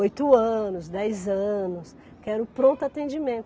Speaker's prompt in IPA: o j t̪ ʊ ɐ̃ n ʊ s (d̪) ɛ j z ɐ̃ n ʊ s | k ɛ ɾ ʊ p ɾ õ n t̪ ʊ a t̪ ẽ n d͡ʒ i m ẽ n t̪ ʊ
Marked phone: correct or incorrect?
correct